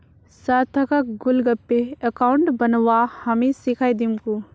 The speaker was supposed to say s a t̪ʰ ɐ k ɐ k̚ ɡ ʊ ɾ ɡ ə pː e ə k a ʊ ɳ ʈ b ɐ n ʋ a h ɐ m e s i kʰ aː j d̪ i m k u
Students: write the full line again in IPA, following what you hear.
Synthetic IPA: s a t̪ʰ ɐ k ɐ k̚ ɡ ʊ l ɡ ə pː e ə k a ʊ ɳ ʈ b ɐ n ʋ a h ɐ m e s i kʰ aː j d̪ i m k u